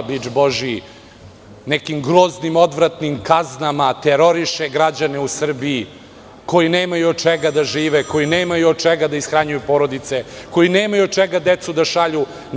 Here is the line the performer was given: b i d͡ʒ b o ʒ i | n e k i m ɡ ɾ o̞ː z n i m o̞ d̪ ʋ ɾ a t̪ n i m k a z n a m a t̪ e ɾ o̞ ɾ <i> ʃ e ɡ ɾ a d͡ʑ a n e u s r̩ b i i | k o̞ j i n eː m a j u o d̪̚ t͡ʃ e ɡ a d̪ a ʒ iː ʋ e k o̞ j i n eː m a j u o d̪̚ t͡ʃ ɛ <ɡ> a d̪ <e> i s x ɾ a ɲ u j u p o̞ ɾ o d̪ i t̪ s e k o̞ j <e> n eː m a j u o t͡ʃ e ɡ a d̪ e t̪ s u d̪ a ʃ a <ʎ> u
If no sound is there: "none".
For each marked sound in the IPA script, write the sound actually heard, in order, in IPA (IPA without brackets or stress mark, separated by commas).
i, ɡ, a, i, ʎ